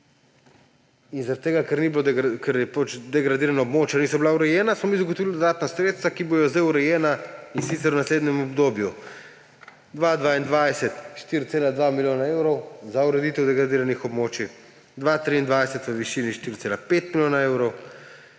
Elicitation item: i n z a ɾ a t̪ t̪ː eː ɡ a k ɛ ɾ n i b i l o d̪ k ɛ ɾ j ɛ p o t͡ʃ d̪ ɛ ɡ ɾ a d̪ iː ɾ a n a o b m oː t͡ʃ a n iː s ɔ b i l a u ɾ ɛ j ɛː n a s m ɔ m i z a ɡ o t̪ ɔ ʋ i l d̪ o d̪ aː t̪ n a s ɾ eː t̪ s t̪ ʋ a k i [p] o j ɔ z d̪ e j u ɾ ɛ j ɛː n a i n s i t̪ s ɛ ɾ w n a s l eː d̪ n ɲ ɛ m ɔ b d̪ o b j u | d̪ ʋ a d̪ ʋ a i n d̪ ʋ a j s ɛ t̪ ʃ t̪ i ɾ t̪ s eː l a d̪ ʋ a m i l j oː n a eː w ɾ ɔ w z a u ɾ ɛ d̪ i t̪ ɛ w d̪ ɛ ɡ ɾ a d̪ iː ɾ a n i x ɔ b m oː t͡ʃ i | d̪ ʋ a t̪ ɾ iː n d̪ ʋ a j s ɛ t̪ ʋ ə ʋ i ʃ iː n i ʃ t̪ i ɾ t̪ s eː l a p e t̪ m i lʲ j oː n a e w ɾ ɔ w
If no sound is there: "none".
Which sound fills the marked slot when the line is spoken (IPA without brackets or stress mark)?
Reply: b